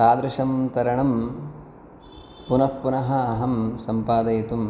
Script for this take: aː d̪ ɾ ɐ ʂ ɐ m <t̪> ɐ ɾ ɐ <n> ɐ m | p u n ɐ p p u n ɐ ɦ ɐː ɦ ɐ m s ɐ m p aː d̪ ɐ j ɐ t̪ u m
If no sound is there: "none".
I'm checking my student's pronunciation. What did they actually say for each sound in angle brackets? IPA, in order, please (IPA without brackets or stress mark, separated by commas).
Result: t̪, ɳ